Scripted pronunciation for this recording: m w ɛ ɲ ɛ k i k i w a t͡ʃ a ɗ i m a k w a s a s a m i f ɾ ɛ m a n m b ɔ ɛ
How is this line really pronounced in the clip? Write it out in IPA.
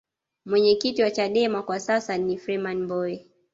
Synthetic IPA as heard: m w ɛ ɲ ɛ k i t i w a t͡ʃ a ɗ ɛ m a k w a s a s a n i f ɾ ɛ m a n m b ɔ ɛ